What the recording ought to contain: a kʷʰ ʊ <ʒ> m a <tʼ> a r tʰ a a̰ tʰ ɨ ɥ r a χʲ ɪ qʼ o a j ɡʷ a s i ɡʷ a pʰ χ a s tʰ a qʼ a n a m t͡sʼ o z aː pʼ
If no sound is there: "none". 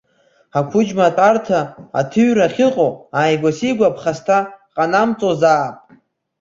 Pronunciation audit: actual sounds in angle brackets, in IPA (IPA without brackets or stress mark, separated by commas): d͡ʒ, tʼ